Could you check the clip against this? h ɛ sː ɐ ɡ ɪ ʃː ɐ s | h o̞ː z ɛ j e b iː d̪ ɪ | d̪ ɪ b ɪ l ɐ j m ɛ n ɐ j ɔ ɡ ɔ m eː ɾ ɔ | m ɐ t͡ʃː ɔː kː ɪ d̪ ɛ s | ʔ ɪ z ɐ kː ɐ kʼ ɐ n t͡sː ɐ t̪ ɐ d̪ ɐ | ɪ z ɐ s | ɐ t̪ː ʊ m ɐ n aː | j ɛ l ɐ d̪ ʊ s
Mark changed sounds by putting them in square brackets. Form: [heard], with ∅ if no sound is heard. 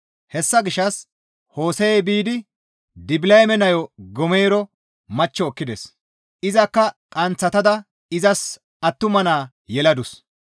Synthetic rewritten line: h ɛ sː ɐ ɡ ɪ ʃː ɐ s | h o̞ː [s] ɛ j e b iː d̪ ɪ | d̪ ɪ b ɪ l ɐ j m ɛ n ɐ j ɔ ɡ ɔ m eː ɾ ɔ | m ɐ t͡ʃː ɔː kː ɪ d̪ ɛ s | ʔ ɪ z ɐ kː ɐ kʼ ɐ n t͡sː ɐ t̪ ɐ d̪ ɐ | ɪ z ɐ s | ɐ t̪ː ʊ m ɐ n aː | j ɛ l ɐ d̪ ʊ s